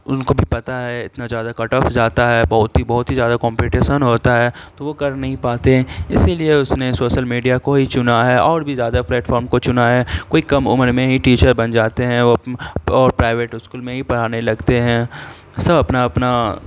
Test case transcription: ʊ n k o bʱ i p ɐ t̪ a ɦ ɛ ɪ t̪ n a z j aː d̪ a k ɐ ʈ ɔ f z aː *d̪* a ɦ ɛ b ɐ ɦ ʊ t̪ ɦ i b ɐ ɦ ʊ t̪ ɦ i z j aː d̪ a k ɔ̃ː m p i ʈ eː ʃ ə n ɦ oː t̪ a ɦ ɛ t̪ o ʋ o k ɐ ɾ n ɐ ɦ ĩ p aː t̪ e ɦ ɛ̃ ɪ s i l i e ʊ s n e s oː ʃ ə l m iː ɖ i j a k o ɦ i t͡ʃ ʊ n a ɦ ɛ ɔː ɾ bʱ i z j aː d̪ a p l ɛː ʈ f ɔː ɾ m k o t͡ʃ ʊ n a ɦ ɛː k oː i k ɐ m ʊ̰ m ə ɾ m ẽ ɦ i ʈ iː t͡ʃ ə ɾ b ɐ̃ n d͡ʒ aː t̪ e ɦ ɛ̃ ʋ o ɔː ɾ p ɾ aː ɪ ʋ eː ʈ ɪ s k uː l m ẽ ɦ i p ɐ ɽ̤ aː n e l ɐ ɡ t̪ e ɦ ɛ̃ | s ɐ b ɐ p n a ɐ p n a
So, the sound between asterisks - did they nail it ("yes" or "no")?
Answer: no